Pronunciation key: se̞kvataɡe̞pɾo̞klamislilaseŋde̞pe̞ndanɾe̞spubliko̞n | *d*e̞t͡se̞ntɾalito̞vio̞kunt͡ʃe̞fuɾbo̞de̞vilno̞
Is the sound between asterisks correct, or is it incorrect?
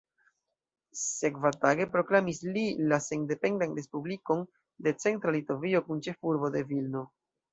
correct